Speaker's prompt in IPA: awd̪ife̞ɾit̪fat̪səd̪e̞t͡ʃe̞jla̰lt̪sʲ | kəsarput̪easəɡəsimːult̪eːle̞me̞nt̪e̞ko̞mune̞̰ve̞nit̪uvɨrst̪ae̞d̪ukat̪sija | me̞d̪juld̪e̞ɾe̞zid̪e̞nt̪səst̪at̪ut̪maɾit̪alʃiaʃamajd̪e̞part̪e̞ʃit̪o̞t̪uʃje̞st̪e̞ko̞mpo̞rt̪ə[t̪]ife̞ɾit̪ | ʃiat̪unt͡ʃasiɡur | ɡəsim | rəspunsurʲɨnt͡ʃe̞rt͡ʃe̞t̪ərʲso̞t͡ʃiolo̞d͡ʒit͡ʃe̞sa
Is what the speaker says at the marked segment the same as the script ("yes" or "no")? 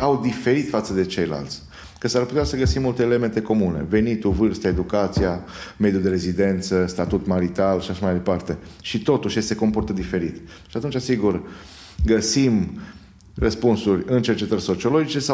no